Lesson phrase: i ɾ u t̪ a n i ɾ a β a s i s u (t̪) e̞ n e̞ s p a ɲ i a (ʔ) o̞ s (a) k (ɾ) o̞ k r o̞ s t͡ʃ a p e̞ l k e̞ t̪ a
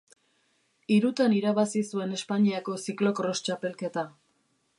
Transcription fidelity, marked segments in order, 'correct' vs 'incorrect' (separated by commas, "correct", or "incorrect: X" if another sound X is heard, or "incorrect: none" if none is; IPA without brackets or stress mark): incorrect: none, incorrect: k, incorrect: i, incorrect: l